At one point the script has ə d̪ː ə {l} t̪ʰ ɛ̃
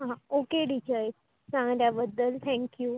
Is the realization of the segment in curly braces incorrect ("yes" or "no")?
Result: no